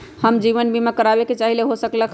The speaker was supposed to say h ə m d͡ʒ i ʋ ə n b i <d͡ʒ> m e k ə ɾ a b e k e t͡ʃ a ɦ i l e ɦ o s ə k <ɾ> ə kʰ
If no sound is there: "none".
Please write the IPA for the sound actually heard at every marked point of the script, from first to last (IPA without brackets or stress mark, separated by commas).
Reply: none, l